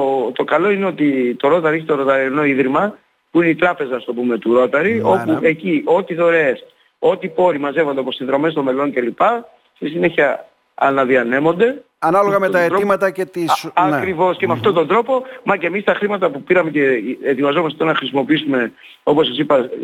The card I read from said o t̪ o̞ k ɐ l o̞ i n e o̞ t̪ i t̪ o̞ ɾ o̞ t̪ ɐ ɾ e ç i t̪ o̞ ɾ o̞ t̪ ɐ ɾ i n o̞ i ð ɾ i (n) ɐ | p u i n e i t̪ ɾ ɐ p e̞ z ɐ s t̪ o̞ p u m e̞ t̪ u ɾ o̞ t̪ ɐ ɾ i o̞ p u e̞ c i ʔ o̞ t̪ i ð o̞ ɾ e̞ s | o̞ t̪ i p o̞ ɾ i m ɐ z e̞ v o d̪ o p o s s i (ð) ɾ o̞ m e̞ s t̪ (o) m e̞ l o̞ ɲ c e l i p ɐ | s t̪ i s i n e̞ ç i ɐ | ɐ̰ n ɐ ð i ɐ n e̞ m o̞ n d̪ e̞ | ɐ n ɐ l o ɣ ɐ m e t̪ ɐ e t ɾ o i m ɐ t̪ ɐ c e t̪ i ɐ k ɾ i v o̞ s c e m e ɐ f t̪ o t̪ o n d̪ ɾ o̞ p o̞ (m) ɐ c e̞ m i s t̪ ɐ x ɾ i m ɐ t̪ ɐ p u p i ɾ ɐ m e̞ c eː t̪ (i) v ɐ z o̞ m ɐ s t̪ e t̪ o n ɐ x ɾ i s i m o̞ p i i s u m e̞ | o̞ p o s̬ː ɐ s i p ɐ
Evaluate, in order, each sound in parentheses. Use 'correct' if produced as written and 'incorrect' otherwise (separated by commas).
incorrect, correct, correct, correct, correct